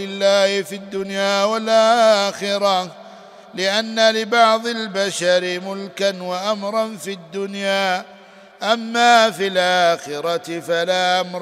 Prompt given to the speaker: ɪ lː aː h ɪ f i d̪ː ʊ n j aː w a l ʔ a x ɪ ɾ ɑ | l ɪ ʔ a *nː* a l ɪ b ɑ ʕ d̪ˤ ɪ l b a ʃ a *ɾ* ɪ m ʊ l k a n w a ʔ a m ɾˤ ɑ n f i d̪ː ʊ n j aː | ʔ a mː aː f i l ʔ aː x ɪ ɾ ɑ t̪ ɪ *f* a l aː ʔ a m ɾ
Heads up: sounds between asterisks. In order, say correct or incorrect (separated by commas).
correct, correct, correct